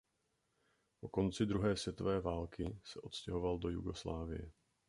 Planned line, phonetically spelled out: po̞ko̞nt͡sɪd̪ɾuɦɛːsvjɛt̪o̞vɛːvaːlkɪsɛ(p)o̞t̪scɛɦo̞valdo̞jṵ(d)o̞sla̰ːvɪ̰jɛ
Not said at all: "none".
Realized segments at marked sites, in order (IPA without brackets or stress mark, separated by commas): ʔ, ɡ